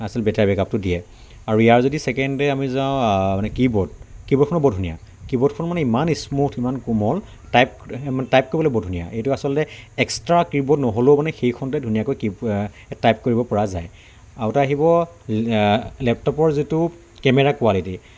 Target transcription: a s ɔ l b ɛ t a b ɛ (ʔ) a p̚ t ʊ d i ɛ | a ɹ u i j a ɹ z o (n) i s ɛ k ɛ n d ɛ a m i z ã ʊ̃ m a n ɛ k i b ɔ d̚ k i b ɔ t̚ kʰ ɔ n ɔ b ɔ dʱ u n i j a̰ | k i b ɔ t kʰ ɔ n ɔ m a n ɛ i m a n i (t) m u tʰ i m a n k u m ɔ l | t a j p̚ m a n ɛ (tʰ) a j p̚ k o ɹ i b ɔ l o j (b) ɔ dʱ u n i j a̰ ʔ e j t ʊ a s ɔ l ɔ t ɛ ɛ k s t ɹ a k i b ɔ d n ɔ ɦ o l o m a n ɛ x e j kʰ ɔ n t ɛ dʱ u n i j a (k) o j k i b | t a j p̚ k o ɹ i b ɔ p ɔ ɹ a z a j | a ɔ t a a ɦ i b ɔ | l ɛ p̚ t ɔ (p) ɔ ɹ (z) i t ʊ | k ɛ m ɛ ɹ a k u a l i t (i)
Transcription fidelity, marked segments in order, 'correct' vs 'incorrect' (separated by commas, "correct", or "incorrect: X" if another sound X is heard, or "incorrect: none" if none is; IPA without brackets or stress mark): incorrect: k, incorrect: d, incorrect: s, incorrect: t, correct, correct, correct, correct, correct